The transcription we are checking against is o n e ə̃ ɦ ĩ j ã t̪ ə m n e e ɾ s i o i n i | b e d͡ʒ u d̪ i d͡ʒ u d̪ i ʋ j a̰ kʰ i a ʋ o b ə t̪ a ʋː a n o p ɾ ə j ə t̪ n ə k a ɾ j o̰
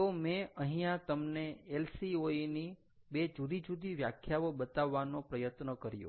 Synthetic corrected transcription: o m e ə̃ ɦ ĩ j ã t̪ ə m n e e l s i o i n i | b e d͡ʒ u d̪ i d͡ʒ u d̪ i ʋ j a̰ kʰ j a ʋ o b ə t̪ a ʋː a n o p ɾ ə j ə t̪ n ə k ə ɾ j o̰